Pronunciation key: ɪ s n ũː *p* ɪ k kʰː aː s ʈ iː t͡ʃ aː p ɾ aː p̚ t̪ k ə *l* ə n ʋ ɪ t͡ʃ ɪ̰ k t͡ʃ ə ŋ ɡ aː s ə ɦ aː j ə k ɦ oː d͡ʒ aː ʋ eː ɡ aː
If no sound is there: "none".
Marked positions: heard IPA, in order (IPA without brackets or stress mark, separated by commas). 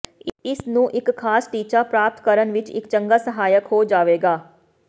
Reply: ʔ, ɾ